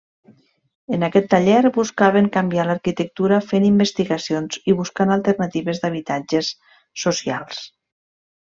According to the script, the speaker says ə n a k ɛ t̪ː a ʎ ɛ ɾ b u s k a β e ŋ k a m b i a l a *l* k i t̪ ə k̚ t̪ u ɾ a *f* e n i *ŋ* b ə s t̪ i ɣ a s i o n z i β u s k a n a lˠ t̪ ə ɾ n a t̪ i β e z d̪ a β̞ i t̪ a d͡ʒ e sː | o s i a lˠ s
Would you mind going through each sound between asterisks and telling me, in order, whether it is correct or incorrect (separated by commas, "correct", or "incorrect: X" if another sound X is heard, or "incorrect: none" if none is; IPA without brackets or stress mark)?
incorrect: ɾ, correct, incorrect: m